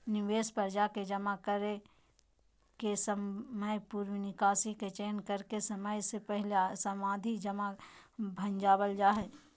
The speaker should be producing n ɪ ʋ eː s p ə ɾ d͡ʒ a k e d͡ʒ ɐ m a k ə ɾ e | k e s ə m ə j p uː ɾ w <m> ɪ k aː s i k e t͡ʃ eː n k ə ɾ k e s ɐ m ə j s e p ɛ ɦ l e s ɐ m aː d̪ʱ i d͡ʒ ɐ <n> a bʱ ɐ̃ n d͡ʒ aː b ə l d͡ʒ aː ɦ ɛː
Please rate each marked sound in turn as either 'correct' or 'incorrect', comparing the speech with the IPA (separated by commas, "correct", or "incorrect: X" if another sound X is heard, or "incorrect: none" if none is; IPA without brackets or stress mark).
incorrect: n, incorrect: m